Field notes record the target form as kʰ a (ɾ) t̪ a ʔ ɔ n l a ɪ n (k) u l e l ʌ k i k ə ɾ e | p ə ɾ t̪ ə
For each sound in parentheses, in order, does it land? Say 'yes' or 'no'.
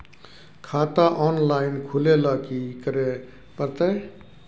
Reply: no, no

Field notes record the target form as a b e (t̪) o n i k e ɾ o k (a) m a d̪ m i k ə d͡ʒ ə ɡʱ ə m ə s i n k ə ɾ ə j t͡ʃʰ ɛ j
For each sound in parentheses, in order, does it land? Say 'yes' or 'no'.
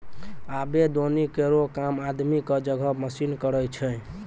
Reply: no, yes

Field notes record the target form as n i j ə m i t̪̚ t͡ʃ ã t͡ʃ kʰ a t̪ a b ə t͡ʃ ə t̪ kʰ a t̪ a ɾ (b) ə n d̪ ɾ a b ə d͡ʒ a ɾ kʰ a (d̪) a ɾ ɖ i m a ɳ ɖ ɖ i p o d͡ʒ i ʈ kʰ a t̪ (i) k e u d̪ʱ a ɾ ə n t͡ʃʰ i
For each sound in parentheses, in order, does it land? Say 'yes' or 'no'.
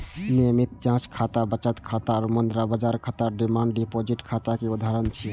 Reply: no, no, no

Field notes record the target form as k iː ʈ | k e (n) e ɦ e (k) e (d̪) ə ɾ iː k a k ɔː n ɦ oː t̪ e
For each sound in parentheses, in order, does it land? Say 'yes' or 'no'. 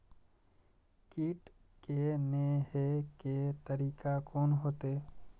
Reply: yes, yes, no

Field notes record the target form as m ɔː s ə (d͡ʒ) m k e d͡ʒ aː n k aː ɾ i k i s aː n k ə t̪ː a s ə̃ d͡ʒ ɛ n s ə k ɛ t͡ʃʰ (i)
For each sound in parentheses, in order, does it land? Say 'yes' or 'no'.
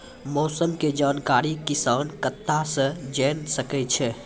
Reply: no, no

